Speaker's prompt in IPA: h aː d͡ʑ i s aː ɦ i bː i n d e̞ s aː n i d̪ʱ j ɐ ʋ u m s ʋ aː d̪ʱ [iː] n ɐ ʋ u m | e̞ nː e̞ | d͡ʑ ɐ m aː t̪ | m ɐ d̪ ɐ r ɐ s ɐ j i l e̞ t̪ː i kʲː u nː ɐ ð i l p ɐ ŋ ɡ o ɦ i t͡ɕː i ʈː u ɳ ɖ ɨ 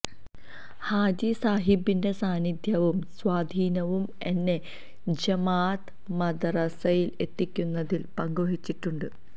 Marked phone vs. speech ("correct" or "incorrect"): correct